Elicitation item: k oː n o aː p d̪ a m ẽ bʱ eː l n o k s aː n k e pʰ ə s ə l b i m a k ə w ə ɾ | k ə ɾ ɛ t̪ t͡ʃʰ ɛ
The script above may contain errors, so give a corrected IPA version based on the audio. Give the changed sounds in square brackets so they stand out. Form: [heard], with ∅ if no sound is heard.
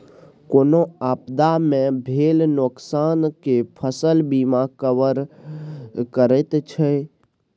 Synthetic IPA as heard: k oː n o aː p d̪ a m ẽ bʱ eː l n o k s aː n k e pʰ ə s ə l b i m a k ə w ə ɾ | k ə ɾ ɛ t̪ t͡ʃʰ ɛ